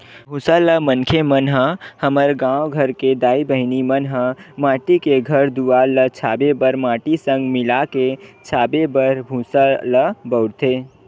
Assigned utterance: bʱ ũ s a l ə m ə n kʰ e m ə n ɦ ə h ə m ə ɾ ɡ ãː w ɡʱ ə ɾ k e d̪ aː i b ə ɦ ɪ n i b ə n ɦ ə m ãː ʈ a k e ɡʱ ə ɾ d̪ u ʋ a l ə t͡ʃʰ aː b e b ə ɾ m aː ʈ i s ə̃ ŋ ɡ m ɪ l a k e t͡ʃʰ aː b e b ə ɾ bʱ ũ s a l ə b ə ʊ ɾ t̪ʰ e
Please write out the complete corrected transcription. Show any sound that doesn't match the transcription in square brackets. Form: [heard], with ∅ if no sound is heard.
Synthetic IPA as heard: bʱ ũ s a l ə m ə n kʰ e m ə n ɦ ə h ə m ə ɾ ɡ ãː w ɡʱ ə ɾ k e d̪ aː i b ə ɦ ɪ n i [m] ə n ɦ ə m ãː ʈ [i] k e ɡʱ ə ɾ d̪ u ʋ a l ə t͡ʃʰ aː b e b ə ɾ m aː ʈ i s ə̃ ŋ ɡ m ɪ l a k e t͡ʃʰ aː b e b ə ɾ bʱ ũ s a l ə b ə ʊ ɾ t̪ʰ e